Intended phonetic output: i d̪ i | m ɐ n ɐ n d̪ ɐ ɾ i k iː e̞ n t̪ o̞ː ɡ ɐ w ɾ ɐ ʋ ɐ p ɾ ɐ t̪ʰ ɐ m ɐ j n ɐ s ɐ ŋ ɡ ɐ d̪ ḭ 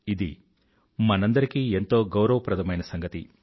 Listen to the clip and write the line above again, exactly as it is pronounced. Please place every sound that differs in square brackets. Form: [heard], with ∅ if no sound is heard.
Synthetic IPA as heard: i d̪ i | m ɐ n ɐ n d̪ ɐ ɾ i k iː e̞ n t̪ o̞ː ɡ ɐ w ɾ ɐ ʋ ɐ p ɾ ɐ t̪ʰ ɐ m ɐ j n ɐ s ɐ ŋ ɡ ɐ [t̪] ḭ